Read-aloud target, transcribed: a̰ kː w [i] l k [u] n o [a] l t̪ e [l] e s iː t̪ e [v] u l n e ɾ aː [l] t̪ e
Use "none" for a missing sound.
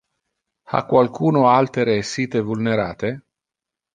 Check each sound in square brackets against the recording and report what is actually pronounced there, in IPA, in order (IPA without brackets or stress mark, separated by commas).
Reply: a, uː, a, ɾ, v, none